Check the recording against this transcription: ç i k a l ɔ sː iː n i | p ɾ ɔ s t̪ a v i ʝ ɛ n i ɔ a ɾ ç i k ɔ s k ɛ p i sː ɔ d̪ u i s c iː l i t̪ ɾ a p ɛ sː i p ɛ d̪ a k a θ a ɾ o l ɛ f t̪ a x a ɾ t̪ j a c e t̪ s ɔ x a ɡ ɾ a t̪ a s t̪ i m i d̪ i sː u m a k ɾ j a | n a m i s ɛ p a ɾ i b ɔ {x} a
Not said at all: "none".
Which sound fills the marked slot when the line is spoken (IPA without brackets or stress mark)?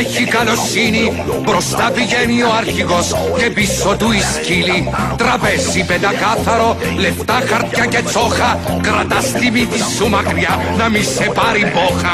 x